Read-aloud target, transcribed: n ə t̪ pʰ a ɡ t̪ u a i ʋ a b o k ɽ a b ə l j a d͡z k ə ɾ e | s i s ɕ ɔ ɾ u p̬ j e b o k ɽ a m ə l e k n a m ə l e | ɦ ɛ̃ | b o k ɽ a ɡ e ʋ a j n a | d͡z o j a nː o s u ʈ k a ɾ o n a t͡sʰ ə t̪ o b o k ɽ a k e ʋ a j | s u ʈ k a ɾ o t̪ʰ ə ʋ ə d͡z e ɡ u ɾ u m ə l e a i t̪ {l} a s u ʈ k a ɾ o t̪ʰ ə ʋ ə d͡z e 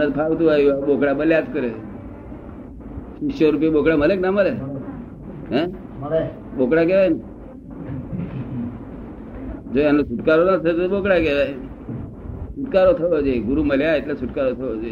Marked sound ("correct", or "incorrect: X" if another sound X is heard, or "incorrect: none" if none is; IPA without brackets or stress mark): correct